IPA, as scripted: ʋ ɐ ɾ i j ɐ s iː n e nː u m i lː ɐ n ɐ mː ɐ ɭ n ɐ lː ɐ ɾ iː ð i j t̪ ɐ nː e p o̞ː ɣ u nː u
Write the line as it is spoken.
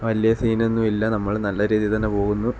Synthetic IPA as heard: ʋ ɐ l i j ɐ s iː n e nː u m i lː ɐ n ɐ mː ɐ ɭ n ɐ lː ɐ ɾ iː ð i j t̪ ɐ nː e p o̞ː ɣ u nː u